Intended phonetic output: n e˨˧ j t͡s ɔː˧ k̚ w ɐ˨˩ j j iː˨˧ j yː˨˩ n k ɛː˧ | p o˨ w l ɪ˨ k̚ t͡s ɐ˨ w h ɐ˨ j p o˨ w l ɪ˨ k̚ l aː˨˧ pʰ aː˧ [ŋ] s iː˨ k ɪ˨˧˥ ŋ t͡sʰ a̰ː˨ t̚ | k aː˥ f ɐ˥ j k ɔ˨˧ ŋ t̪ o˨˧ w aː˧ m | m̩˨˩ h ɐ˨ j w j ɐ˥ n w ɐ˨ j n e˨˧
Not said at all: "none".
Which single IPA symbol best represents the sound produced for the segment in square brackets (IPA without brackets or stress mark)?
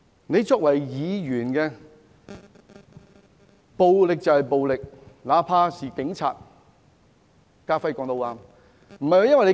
none